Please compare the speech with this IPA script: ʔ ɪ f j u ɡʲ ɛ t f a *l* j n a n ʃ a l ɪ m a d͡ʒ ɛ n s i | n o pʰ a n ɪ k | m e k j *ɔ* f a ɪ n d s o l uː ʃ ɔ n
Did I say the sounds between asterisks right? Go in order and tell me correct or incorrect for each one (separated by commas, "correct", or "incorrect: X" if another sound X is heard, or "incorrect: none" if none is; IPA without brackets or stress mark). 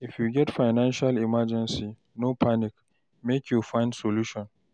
incorrect: none, incorrect: u